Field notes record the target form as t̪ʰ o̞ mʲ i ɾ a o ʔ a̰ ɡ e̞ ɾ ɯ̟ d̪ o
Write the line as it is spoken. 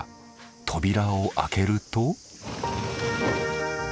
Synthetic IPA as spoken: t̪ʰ o̞ bʲ i ɾ a o ʔ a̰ k e̞ ɾ ɯ̟ t̪ o